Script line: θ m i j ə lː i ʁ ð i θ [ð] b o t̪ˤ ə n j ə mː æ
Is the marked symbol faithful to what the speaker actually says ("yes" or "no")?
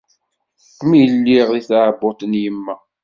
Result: no